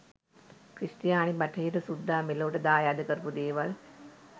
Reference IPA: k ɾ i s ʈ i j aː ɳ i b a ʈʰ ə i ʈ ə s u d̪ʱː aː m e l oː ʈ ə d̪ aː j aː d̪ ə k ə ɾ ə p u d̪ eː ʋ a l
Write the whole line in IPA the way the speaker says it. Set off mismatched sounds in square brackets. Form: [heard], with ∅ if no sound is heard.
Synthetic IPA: k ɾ i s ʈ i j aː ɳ i b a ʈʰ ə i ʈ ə s u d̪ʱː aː m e l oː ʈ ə d̪ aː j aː d̪ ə k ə ɾ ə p u d̪ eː ʋ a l